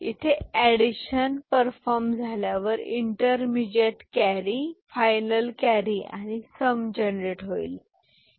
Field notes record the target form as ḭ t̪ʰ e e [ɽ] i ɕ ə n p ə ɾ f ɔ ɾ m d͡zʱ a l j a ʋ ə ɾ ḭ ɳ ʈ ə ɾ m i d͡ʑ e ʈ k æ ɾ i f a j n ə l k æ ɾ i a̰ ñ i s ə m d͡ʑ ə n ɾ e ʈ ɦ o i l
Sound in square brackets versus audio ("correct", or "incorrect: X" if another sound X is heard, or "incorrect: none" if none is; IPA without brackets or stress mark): correct